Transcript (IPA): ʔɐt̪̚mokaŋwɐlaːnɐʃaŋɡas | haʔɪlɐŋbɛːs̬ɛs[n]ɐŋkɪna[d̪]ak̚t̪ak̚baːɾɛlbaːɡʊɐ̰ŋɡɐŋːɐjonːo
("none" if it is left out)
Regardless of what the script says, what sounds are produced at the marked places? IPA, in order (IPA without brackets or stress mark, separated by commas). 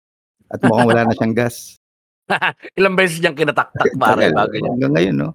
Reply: ɲ, t̪